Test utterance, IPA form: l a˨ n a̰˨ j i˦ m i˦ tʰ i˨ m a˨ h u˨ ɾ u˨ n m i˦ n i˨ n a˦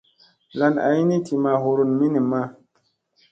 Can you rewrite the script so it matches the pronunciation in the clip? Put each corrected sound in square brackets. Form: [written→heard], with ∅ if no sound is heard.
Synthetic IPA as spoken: l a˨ n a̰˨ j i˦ [m→n] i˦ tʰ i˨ m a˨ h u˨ ɾ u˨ n m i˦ n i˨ [n→m] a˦